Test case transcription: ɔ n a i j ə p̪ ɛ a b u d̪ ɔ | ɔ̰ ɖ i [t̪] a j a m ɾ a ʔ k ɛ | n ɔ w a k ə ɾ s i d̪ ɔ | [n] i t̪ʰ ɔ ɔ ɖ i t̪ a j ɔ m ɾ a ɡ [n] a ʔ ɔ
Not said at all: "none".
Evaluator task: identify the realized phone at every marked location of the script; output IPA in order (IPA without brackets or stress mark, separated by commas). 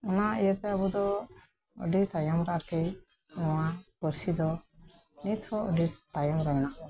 t̪, n, n